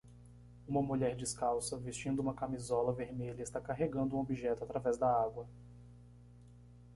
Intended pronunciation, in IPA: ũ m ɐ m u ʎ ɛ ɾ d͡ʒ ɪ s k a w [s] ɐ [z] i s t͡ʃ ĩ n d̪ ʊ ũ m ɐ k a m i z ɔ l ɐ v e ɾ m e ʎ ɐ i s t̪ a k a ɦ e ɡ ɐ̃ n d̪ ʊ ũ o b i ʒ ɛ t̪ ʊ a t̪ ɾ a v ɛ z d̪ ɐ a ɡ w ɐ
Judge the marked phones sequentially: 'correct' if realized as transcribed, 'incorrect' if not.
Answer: correct, incorrect

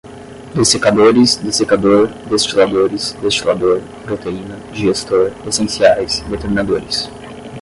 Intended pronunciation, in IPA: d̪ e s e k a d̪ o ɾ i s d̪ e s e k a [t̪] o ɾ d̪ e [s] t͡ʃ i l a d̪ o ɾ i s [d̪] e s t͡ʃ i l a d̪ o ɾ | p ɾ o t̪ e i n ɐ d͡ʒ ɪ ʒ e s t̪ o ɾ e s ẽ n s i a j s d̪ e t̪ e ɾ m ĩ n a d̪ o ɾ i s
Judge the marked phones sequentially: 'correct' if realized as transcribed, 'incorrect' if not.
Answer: incorrect, correct, correct

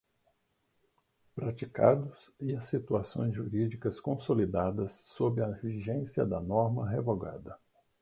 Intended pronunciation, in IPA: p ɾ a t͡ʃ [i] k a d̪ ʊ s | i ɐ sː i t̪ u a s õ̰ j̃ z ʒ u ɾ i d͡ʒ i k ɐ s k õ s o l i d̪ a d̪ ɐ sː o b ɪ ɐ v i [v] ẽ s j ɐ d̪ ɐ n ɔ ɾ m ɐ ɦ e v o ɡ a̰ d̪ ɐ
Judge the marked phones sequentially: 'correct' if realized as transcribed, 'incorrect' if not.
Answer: correct, incorrect

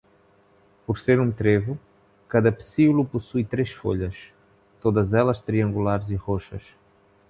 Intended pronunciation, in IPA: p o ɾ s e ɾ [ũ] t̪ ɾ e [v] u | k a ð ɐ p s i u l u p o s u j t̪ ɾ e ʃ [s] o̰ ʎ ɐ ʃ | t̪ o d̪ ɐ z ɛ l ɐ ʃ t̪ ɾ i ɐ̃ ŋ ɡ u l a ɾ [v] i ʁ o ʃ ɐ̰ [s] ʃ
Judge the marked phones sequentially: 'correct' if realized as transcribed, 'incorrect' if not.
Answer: correct, correct, incorrect, incorrect, incorrect

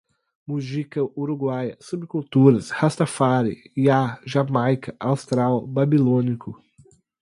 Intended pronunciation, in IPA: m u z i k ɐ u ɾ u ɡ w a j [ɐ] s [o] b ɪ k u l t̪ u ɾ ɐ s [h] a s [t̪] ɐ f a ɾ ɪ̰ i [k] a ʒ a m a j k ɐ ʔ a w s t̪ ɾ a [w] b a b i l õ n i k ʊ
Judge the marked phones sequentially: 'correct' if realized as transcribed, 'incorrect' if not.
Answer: correct, incorrect, correct, correct, incorrect, correct

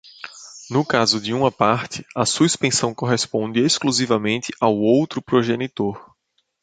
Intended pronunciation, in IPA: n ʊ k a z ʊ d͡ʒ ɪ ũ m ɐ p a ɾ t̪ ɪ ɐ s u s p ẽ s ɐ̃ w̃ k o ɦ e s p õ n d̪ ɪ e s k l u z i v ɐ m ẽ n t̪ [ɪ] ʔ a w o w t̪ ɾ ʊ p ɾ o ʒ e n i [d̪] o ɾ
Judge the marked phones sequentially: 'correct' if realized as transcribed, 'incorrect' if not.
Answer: correct, incorrect

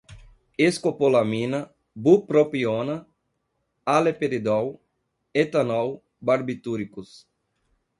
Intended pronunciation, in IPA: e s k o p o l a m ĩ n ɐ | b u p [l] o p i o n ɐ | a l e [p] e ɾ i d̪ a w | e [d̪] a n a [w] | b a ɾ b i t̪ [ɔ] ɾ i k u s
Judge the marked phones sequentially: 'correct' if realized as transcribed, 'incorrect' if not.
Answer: incorrect, correct, incorrect, correct, incorrect

